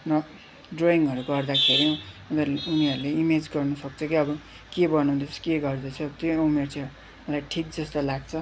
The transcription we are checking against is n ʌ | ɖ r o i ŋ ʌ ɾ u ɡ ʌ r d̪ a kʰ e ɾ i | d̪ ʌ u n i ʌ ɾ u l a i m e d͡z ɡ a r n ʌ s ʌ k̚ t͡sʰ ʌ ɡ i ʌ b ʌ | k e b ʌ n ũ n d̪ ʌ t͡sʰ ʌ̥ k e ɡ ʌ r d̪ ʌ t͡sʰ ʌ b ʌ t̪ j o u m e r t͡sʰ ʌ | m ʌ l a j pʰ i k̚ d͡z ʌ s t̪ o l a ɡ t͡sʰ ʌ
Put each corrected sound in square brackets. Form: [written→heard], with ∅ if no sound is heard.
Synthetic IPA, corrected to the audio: n ʌ | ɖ r o i ŋ ʌ ɾ u ɡ ʌ r d̪ a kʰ e ɾ i | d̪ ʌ u n i ʌ ɾ u l [a→e] i m e d͡z ɡ [a→ʌ] r n ʌ s ʌ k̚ t͡sʰ ʌ [ɡ→k] i ʌ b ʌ | k e b ʌ n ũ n d̪ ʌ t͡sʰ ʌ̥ k e ɡ ʌ r d̪ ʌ t͡sʰ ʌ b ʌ t̪ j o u m e r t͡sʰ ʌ | m ʌ l a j [pʰ→ʈʰ] i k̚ d͡z ʌ s t̪ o l a ɡ t͡sʰ ʌ